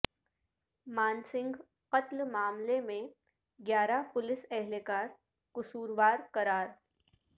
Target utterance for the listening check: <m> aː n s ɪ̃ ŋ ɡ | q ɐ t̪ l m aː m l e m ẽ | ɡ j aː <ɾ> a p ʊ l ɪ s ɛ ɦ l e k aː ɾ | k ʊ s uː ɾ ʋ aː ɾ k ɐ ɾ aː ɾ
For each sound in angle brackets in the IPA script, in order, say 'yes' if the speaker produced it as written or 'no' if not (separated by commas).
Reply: yes, yes